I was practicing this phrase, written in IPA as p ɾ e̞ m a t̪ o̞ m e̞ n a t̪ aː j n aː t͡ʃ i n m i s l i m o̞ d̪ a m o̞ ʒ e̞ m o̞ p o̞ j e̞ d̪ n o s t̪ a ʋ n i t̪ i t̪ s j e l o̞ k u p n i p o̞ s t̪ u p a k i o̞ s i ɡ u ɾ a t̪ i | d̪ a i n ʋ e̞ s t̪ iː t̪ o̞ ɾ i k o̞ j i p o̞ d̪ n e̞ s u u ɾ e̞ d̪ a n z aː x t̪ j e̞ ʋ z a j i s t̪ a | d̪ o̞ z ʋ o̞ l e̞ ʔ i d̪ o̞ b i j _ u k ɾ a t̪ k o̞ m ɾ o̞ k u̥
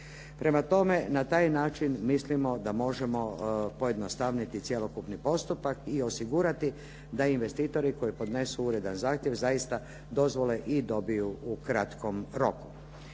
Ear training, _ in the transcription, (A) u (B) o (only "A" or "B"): A